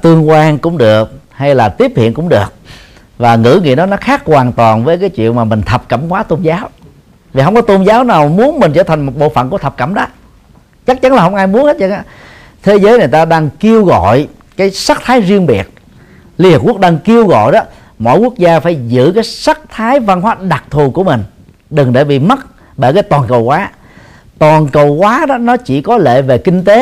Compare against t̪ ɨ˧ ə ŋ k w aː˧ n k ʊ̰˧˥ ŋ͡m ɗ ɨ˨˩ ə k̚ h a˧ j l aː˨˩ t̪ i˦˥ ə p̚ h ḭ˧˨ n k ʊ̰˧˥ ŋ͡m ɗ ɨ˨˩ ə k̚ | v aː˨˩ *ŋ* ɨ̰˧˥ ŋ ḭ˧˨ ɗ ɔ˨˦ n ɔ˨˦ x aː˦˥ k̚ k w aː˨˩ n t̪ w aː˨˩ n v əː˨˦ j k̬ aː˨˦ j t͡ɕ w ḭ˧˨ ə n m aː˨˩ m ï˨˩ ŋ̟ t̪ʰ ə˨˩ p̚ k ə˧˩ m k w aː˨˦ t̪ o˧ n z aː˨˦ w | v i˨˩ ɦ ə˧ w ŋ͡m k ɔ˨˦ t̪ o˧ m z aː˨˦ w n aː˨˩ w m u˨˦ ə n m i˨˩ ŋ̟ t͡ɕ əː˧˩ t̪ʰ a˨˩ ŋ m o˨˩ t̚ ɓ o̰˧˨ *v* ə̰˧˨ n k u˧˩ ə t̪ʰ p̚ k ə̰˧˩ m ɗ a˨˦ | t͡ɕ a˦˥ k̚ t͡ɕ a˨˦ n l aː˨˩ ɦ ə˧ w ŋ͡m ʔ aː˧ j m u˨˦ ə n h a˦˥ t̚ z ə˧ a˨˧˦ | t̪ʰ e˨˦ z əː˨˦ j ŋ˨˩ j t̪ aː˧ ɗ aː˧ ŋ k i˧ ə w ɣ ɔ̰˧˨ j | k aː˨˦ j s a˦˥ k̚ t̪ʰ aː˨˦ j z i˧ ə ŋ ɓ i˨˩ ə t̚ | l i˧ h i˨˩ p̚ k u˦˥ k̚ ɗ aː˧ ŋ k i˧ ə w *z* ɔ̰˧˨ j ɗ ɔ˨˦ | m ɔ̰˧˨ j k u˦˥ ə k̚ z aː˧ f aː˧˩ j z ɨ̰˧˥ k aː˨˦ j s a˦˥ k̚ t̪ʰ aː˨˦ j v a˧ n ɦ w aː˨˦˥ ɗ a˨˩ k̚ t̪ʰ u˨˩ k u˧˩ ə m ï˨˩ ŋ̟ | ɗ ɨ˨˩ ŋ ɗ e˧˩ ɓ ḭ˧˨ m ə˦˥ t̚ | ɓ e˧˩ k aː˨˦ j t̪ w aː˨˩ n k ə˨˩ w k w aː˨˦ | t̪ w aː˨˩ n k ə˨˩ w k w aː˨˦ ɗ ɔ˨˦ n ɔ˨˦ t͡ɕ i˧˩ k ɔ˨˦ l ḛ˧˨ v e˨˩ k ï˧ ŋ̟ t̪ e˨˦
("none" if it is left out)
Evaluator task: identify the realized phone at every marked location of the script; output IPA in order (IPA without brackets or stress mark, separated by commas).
ŋ, f, ɣ